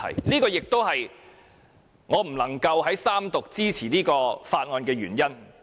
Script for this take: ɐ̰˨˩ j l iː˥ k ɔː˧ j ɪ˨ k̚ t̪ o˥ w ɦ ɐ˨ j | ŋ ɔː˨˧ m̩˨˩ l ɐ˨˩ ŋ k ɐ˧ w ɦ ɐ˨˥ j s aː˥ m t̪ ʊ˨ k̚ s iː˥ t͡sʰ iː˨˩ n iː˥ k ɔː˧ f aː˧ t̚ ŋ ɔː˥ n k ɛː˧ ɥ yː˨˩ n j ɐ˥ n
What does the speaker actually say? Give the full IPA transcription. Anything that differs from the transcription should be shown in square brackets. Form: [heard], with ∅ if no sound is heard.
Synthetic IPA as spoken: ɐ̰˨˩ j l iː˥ k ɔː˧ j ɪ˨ k̚ t̪ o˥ w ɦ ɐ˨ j | ŋ ɔː˨˧ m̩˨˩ l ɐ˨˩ ŋ k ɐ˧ w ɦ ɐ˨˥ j s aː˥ m t̪ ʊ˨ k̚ [t͡s] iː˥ t͡sʰ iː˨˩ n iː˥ k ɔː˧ f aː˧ t̚ ŋ [ɔː˧] n k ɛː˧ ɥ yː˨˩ n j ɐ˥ n